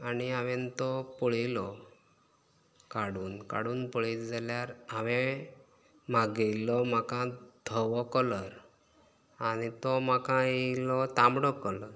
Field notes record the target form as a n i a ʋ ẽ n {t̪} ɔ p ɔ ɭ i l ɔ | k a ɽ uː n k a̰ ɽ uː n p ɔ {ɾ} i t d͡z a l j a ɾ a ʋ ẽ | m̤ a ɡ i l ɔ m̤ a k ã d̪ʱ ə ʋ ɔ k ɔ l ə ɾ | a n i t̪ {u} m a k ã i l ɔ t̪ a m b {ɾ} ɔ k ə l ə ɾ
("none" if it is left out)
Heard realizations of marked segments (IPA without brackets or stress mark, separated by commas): t̪, ɭ, ɔ, ɽ